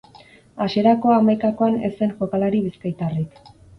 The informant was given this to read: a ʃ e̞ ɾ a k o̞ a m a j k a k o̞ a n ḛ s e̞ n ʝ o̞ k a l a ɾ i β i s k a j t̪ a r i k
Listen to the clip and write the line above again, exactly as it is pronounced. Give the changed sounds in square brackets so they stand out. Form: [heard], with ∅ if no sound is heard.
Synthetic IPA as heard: a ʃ e̞ ɾ a k o̞ a m a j k a k o̞ a n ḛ s e̞ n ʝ o̞ k a l a ɾ i β i s k a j t̪ a r i k